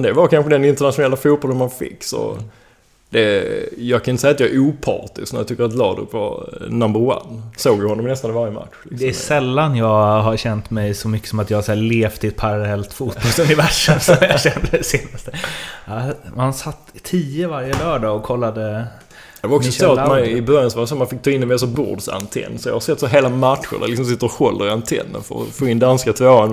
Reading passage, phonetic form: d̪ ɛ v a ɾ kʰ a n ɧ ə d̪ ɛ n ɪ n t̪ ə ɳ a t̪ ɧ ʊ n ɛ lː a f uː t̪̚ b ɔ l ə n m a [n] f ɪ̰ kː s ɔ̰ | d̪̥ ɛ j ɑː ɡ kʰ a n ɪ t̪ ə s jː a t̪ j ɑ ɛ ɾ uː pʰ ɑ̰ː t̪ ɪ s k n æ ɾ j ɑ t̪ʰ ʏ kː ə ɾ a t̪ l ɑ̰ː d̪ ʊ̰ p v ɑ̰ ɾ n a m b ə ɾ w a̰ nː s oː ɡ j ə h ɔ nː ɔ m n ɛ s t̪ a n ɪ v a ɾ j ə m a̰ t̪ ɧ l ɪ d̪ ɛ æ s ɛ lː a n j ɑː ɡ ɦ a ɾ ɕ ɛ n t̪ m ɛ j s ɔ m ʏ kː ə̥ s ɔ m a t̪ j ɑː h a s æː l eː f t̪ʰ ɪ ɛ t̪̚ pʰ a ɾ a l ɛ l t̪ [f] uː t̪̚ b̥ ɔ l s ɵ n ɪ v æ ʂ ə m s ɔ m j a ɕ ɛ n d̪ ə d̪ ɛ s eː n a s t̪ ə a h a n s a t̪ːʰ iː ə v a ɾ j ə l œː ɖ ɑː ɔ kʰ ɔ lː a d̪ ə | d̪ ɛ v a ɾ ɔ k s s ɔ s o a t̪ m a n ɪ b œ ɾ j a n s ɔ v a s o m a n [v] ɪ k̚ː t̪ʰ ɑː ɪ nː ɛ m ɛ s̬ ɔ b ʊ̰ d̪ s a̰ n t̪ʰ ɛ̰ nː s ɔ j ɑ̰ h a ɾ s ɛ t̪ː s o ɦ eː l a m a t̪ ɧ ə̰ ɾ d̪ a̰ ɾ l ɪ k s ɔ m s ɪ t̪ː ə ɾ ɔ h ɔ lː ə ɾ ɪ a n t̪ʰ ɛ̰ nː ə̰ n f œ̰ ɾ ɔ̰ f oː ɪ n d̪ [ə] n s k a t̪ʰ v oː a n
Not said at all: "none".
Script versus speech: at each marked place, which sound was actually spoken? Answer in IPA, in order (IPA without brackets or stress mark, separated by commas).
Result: n, f, f, a